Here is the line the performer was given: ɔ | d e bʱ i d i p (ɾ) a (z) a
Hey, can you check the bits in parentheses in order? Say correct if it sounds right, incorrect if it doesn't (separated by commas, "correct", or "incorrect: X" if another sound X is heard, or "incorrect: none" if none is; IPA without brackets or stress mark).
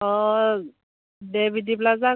incorrect: l, correct